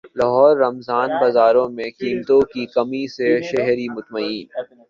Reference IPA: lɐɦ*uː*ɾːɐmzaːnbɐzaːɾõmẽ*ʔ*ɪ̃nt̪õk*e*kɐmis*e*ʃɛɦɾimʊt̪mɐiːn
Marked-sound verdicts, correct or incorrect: incorrect, incorrect, incorrect, correct

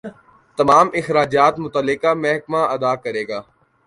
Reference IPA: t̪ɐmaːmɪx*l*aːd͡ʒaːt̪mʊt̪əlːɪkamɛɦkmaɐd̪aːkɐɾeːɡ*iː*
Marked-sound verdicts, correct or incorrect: incorrect, incorrect

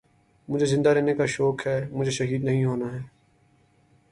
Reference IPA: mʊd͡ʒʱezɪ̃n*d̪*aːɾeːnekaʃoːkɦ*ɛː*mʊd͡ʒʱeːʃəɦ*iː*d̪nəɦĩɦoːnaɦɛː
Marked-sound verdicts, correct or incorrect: correct, correct, correct

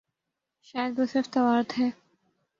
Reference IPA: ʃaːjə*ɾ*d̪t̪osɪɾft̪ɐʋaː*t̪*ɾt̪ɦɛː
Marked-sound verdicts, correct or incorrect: incorrect, incorrect

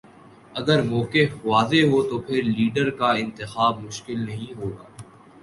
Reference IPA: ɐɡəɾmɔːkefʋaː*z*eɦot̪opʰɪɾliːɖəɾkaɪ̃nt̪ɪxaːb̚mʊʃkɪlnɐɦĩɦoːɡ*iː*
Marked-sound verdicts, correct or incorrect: correct, incorrect

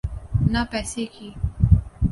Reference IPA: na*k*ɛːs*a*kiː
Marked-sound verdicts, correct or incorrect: incorrect, incorrect

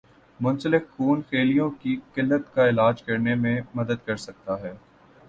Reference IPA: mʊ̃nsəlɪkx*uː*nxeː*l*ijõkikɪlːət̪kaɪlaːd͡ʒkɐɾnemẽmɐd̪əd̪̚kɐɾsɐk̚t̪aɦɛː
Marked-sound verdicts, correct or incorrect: correct, correct

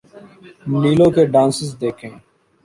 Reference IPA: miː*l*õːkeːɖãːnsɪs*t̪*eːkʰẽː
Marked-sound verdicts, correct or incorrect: correct, incorrect

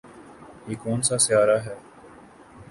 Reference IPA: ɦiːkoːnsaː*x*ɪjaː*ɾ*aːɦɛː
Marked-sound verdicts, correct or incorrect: incorrect, correct

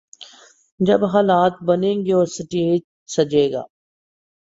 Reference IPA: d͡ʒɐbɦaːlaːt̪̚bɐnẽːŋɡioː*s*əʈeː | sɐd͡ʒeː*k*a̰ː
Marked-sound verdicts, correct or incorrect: correct, incorrect

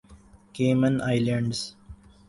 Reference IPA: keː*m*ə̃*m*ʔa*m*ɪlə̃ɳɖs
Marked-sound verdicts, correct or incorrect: correct, incorrect, incorrect

